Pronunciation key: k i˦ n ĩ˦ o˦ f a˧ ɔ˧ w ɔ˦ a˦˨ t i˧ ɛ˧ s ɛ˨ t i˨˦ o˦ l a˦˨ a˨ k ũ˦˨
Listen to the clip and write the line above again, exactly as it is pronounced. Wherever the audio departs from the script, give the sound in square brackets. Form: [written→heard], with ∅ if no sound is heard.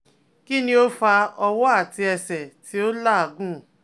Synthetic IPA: k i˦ n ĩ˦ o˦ f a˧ ɔ˧ w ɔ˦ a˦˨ t i˧ ɛ˧ s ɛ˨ t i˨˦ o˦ l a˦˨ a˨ [k→ɡ] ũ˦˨

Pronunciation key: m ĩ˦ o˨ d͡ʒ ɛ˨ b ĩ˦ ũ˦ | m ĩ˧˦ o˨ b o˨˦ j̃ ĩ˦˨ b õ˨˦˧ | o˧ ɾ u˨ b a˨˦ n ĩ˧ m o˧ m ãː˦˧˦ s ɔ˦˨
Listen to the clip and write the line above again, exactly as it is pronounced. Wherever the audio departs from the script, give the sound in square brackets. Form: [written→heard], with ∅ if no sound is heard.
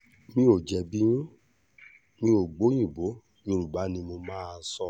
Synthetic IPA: m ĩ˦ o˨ d͡ʒ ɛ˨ b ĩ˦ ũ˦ | m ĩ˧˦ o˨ [b→ɡ͡b] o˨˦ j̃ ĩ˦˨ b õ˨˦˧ | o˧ ɾ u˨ b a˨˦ n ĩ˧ m o˧ m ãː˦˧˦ s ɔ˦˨

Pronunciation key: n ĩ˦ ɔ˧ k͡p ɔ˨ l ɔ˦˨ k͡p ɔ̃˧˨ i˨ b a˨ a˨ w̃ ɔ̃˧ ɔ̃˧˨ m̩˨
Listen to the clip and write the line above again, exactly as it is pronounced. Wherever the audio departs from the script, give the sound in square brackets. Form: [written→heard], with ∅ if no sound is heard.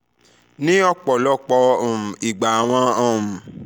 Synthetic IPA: n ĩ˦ ɔ˧ k͡p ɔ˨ l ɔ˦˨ k͡p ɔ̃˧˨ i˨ [b→ɡ͡b] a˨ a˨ w̃ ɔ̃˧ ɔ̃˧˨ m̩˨

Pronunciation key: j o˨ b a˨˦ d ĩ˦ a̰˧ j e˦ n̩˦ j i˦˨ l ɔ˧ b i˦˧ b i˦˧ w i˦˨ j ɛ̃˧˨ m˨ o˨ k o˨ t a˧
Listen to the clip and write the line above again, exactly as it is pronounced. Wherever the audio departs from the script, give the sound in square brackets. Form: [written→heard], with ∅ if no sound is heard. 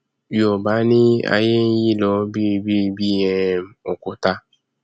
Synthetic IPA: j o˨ b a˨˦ [d→n] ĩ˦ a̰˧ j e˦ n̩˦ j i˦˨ l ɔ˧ b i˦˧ b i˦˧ [w→b] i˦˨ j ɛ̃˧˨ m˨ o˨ k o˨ t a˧

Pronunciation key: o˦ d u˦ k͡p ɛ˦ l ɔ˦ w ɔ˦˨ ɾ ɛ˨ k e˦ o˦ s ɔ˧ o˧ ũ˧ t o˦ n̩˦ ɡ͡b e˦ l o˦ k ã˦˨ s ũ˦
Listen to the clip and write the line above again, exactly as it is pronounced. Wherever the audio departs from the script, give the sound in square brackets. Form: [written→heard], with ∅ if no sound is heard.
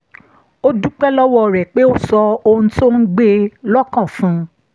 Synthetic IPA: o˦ d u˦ k͡p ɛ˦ l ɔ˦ w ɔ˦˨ ɾ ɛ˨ [k→k͡p] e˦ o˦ s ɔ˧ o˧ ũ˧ t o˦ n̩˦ ɡ͡b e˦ l [o˦→ɔ˦] k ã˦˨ [s→f] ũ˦

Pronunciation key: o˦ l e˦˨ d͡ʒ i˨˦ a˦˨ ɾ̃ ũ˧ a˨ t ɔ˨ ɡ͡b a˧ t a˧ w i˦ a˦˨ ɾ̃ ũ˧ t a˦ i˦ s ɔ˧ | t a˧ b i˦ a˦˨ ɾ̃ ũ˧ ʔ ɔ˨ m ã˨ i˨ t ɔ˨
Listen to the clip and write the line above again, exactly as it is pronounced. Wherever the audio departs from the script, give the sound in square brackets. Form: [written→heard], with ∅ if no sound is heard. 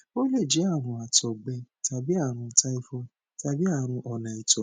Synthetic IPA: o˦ l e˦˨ d͡ʒ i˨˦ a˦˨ ɾ̃ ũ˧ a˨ t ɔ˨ ɡ͡b [a˧→ɛ˧] t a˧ [w→b] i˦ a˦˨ ɾ̃ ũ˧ t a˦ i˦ [s→f] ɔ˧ | t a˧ b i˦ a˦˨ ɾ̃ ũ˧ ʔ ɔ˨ [m→n] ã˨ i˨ t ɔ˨

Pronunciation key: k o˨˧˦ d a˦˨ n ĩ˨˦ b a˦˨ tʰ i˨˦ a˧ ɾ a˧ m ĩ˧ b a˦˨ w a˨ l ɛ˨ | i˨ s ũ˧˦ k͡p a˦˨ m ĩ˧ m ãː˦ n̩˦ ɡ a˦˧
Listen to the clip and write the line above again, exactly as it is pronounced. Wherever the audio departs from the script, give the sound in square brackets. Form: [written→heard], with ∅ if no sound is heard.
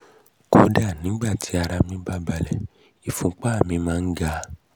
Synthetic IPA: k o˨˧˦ d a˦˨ n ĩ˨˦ [b→ɡ͡b] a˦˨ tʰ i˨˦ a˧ ɾ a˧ m ĩ˧ b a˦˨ [w→b] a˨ l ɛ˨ | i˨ [s→f] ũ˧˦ k͡p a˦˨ m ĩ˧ m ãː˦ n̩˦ ɡ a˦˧

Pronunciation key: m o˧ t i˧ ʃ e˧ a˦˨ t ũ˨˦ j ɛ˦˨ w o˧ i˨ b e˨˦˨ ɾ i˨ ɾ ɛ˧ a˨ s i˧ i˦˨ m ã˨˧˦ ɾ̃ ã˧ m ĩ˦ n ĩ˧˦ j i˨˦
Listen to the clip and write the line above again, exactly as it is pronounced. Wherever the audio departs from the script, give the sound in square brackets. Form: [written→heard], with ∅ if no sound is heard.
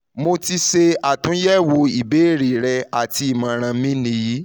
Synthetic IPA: m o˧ t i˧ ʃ e˧ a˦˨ t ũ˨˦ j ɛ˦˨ w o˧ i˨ b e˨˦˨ ɾ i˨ ɾ ɛ˧ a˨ [s→t] i˧ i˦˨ m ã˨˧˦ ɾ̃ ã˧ m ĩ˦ n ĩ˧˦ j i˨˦

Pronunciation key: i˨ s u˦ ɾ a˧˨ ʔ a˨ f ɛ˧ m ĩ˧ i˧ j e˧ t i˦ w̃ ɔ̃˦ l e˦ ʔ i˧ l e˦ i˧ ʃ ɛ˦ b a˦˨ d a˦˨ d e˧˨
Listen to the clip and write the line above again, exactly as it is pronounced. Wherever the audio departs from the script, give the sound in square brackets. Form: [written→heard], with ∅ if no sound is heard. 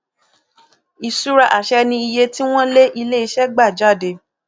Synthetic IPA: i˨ s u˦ ɾ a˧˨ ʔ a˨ [f→ʃ] ɛ˧ [m→n] ĩ˧ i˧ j e˧ t i˦ w̃ ɔ̃˦ l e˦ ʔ i˧ l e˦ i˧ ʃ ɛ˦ [b→ɡ͡b] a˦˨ [d→d͡ʒ] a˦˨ d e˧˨

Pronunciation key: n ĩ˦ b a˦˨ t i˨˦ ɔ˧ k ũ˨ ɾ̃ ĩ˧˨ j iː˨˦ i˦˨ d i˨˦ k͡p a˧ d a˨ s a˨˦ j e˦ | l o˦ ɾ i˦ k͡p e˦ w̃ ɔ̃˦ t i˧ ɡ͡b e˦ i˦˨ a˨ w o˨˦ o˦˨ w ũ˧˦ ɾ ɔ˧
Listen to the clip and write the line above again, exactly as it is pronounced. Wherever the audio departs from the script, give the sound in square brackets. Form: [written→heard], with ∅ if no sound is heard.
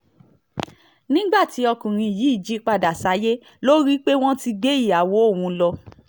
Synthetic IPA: n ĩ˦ [b→ɡ͡b] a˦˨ t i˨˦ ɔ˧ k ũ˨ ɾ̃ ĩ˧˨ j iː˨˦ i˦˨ [d→d͡ʒ] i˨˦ k͡p a˧ d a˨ s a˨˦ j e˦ | l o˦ ɾ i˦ k͡p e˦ w̃ ɔ̃˦ t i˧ ɡ͡b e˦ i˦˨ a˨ w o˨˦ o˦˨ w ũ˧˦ [ɾ→l] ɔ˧

